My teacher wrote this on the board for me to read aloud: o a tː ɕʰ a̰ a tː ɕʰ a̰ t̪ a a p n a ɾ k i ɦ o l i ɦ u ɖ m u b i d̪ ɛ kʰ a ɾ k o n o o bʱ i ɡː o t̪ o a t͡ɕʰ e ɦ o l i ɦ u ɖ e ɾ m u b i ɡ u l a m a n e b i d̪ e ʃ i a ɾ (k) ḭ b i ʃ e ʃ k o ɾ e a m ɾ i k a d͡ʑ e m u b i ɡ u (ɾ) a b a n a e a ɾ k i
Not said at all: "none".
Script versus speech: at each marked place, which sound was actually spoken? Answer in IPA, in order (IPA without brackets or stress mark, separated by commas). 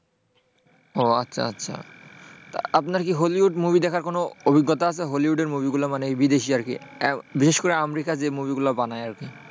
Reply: k, l